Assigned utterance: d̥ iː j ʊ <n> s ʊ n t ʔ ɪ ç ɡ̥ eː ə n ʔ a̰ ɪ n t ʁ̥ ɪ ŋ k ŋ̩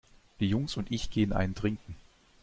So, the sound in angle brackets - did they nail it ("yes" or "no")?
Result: no